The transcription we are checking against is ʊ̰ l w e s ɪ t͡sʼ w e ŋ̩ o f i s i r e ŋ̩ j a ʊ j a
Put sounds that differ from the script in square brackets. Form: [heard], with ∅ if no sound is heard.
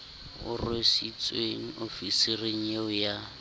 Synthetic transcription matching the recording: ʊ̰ [r] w e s [i] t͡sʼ w e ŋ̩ o f i s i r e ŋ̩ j [e] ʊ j a